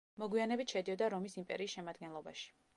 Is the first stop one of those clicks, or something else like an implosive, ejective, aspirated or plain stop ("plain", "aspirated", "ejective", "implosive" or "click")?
plain